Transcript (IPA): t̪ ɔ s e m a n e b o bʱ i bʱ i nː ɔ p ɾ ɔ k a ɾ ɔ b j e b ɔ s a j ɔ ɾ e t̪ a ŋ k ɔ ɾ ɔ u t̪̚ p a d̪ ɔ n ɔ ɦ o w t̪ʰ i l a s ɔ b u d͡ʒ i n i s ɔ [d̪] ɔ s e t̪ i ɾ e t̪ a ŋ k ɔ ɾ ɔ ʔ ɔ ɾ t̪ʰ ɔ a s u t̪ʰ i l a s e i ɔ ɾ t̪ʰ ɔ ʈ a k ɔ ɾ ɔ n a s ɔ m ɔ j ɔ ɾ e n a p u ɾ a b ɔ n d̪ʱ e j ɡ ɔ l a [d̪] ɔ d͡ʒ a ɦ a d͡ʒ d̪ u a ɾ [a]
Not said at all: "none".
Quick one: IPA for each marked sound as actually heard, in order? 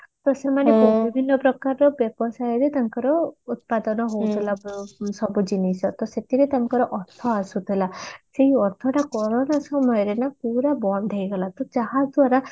t̪, t̪, a

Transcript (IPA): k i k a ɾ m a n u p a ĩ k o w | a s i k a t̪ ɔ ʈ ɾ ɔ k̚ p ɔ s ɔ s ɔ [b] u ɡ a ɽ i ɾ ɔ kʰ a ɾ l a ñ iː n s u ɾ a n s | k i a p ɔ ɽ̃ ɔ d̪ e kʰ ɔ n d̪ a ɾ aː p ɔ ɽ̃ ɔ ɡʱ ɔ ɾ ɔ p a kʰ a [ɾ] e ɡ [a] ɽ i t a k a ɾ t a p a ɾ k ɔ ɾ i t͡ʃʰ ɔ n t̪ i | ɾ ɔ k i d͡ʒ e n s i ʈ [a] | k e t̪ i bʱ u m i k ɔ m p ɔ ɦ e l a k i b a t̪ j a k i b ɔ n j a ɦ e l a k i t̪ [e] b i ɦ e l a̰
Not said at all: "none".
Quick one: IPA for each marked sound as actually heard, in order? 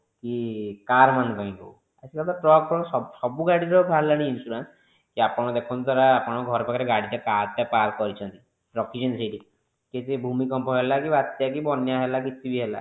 b, ɾ, a, i, i

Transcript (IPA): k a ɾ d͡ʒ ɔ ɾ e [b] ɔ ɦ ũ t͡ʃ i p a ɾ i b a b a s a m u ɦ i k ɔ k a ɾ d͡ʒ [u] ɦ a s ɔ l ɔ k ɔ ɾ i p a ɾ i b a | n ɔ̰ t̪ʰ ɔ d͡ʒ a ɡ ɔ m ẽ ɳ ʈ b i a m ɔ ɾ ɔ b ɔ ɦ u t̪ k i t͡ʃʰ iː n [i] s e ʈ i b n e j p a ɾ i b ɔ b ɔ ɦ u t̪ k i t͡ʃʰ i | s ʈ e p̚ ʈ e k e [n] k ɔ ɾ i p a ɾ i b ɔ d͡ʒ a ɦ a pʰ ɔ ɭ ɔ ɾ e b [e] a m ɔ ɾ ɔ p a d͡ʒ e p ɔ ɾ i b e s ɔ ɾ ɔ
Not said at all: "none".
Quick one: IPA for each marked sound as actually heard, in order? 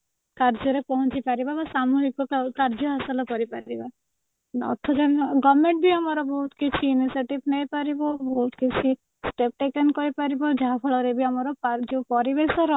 p, ɔ, i, n, i

